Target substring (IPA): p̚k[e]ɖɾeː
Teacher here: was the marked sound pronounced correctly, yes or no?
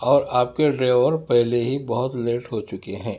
yes